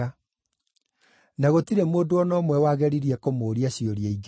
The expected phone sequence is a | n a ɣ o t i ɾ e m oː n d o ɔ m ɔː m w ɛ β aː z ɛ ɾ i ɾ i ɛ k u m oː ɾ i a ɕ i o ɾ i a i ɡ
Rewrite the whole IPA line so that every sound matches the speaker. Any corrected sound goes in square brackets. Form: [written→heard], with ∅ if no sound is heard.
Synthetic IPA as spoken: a | n a ɣ o t i ɾ e m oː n d o ɔ [m→n] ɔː m w ɛ [β→w] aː [z→ɣ] ɛ ɾ i ɾ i ɛ k [u→o] m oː ɾ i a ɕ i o ɾ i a i ɡ

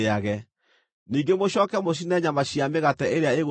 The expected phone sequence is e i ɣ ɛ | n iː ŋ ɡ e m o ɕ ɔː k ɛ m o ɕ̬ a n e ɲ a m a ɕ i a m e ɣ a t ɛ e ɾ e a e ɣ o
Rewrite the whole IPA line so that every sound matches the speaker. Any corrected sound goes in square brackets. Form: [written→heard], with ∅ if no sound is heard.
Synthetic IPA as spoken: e [i→a] ɣ ɛ | n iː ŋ ɡ e m o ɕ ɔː k ɛ m o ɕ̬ [a→i] n [e→ɛ] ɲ a m a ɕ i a m e ɣ a t ɛ e ɾ e a e ɣ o

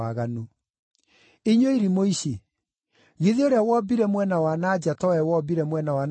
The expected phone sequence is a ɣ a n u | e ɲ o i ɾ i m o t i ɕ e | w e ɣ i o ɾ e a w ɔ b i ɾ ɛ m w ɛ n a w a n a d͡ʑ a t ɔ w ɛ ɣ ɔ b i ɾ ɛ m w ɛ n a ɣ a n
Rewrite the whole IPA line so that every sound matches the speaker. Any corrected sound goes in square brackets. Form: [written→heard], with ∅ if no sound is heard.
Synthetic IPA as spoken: a ɣ a n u | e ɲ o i ɾ i m o [t→∅] i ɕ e | [w→ɣ] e [ɣ→ð] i o ɾ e a w ɔ b i ɾ ɛ m w ɛ n a w a n a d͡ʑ a t ɔ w ɛ [ɣ→w] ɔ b i ɾ ɛ m w ɛ n a [ɣ→w] a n

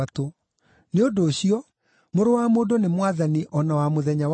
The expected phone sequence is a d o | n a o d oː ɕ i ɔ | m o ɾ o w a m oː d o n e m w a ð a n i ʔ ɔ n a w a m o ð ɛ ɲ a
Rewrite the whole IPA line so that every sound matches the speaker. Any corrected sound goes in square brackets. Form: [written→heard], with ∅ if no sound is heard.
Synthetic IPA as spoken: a [d→t] o | n [a→e] o d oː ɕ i ɔ | m o ɾ o w a m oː d o n e m w a ð a n i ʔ ɔ n a w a m o ð ɛ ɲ a

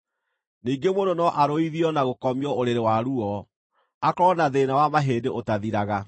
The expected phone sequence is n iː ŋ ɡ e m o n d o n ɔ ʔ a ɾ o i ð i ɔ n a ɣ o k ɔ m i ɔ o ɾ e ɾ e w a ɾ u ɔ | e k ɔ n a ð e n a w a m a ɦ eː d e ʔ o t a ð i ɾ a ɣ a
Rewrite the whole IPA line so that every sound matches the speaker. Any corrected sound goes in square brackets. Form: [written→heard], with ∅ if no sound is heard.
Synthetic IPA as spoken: n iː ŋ ɡ e m o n d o n ɔ ʔ a ɾ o i ð i ɔ n a ɣ o k ɔ m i ɔ o ɾ e ɾ e w a ɾ u ɔ | [e→a] k ɔ n a ð e n a w a m a ɦ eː d e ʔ o t a ð i ɾ a ɣ a

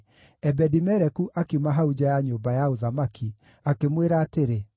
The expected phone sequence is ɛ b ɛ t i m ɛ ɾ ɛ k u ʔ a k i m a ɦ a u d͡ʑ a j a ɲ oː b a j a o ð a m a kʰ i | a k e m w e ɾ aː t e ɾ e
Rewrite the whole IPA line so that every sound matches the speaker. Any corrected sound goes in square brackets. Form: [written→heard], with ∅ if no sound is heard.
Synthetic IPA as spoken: ɛ b ɛ [t→d] i m ɛ ɾ ɛ k u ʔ a k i m a ɦ a u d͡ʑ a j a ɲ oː b a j a o ð a m a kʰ i | a k e m w e ɾ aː t e ɾ e

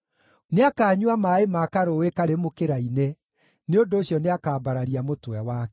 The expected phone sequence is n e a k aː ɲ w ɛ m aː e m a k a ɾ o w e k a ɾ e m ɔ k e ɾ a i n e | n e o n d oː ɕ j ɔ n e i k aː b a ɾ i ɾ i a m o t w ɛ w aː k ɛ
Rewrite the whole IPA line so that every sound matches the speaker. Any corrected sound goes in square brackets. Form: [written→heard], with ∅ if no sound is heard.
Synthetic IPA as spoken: n e a k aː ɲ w [ɛ→a] m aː e m a k a ɾ o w e k a ɾ e m [ɔ→o] k e ɾ a i n e | n e o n d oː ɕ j ɔ n e [i→a] k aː b a ɾ [i→a] ɾ i a m o t w ɛ w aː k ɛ

